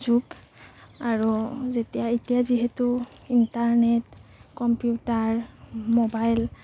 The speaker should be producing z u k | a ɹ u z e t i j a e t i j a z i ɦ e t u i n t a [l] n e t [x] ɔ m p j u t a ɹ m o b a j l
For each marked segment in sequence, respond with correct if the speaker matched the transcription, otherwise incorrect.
incorrect: ɹ, incorrect: k

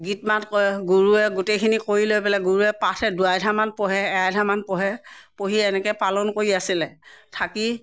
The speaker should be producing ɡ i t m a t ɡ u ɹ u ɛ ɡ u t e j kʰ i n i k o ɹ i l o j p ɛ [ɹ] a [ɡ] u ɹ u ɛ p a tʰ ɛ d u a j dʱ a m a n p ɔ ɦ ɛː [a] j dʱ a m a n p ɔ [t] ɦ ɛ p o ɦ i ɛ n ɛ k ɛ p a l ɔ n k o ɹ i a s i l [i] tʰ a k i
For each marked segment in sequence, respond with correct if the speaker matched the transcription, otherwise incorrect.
incorrect: l, correct, correct, incorrect: none, incorrect: ɛ

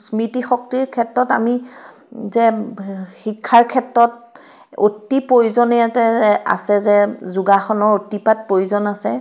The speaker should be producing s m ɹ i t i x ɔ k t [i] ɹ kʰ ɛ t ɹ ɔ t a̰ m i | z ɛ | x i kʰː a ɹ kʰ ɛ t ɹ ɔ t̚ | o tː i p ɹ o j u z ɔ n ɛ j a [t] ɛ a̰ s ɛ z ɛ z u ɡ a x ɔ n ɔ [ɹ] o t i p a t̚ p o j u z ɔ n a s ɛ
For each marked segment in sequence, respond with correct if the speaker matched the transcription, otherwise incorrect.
correct, correct, correct

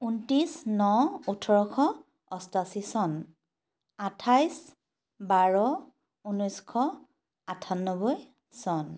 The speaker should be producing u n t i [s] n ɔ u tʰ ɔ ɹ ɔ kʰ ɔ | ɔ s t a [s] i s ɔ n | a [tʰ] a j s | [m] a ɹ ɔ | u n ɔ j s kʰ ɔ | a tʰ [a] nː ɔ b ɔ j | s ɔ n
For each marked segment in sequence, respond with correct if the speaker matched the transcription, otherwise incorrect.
correct, correct, correct, incorrect: b, correct

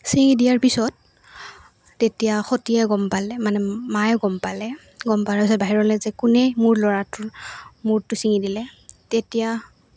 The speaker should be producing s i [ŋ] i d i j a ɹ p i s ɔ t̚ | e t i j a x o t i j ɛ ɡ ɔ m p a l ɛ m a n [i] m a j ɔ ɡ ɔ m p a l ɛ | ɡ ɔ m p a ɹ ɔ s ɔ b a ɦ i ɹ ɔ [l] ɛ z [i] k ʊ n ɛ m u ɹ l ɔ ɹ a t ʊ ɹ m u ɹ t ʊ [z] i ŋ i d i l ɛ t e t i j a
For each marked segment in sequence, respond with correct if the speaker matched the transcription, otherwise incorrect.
correct, incorrect: ɛ, correct, incorrect: ɛ, incorrect: s

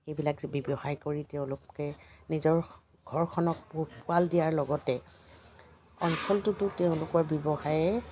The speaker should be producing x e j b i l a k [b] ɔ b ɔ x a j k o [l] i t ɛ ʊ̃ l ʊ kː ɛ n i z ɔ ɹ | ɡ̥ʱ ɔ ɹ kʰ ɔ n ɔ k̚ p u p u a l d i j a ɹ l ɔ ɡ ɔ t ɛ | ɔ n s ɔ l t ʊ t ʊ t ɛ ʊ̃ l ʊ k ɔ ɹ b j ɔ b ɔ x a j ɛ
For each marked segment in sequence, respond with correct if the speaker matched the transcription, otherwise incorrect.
correct, incorrect: ɹ

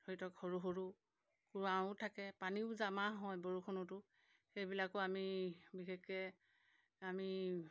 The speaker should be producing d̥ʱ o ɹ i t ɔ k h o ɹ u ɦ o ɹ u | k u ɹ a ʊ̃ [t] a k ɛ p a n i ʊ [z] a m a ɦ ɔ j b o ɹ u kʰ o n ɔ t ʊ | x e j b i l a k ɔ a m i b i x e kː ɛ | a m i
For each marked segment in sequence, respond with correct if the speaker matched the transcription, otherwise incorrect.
incorrect: tʰ, correct

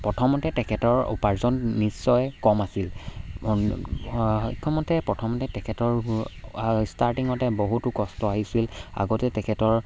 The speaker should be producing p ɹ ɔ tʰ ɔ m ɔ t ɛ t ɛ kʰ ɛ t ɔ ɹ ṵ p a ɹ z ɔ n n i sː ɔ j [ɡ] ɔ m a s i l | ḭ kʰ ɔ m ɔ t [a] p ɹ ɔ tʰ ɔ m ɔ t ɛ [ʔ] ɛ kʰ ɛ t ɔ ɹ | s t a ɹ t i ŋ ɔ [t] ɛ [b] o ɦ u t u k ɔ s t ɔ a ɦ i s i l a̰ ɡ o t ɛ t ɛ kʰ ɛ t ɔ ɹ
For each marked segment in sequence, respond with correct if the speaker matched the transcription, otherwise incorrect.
incorrect: k, incorrect: ɛ, incorrect: t, correct, correct

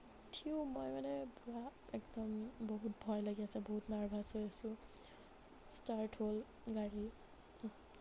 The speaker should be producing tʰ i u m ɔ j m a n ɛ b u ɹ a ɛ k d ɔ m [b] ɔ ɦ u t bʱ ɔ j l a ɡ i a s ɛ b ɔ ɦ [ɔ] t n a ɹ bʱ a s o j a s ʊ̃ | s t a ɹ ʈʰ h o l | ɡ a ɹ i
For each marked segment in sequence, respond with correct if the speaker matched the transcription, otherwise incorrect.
correct, incorrect: u

